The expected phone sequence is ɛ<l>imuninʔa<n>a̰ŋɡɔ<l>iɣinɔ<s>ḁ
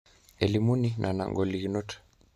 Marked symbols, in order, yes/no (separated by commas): yes, yes, yes, no